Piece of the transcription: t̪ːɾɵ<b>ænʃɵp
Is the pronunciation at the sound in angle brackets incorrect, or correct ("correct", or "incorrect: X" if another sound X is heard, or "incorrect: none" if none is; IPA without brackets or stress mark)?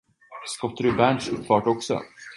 correct